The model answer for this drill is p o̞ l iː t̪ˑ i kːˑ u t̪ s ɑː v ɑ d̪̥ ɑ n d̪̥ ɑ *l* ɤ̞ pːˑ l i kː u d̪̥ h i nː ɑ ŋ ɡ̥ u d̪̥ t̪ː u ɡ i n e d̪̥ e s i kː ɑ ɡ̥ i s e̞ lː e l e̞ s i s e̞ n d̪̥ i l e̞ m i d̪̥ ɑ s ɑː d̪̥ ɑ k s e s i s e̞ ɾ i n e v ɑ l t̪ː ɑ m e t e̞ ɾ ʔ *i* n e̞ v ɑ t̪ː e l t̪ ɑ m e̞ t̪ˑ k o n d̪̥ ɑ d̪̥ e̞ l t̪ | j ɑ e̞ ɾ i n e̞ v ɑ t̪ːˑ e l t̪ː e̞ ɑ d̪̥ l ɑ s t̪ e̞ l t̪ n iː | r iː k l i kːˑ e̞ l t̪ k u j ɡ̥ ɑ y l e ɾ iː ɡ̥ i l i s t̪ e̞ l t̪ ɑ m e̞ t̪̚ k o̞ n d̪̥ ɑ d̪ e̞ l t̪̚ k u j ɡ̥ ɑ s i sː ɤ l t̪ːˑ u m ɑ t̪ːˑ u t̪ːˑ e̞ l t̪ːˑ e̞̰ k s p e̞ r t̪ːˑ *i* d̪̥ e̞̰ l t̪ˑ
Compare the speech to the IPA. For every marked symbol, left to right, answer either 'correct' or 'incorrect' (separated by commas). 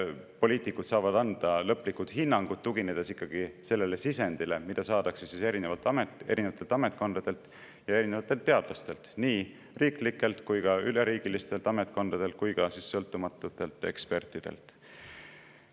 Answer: correct, correct, correct